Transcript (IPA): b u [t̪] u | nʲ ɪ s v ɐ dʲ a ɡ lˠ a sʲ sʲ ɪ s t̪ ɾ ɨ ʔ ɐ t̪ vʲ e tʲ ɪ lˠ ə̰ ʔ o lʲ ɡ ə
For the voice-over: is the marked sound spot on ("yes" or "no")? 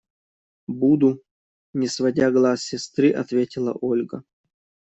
no